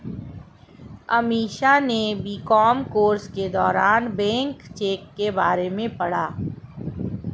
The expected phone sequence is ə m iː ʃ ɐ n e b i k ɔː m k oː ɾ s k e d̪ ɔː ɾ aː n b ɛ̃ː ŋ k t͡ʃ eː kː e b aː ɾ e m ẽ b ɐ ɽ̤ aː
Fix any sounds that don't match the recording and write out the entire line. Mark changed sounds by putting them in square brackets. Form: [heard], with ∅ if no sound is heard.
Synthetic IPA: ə m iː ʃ [a] n e b i k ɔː m k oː ɾ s k e d̪ ɔː ɾ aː n b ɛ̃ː ŋ k t͡ʃ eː kː e b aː ɾ e m ẽ [p] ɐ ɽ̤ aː